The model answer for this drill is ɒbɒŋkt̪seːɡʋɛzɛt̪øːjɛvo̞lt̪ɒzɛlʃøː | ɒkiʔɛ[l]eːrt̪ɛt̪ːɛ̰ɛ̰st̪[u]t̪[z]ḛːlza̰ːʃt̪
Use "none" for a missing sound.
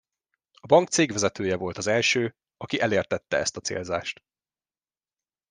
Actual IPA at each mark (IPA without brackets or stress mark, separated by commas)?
l, ɒ, s